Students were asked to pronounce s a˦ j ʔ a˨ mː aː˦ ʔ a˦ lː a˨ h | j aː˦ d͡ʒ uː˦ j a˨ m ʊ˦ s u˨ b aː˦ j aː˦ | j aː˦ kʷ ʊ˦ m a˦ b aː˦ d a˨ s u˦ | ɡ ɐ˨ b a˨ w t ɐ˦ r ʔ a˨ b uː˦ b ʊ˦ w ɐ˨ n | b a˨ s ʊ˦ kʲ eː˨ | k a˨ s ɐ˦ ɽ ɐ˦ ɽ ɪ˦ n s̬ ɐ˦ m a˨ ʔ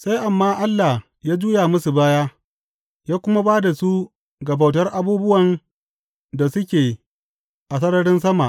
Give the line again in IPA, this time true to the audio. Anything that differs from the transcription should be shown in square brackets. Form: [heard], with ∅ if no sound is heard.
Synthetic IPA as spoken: s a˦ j ʔ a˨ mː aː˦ ʔ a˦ lː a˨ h | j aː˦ d͡ʒ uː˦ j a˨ m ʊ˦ s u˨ b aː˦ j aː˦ | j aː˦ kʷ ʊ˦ m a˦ b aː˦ d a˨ s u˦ | ɡ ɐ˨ b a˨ w t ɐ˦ r ʔ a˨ b uː˦ b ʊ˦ w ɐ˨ n | [d] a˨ s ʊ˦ kʲ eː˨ | [ʔ] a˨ s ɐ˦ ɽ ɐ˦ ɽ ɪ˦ n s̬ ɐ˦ m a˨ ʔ